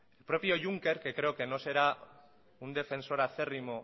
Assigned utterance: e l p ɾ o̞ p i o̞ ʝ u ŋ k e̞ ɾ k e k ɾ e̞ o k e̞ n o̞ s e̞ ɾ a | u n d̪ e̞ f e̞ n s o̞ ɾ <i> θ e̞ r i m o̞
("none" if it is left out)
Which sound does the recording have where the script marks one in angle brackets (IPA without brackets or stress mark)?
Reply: a